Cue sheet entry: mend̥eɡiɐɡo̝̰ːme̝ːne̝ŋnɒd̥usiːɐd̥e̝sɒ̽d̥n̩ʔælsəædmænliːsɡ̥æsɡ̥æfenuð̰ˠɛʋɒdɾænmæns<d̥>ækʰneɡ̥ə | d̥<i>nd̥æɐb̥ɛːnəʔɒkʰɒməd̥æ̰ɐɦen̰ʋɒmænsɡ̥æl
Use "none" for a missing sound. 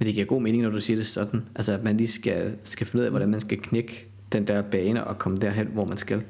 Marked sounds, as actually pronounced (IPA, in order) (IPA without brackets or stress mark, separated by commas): ɡ̥, e